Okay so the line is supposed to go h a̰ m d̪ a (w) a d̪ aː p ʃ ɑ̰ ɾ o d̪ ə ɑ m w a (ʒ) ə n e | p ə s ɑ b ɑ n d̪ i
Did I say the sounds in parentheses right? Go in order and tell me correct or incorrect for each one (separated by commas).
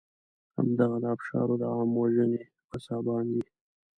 incorrect, correct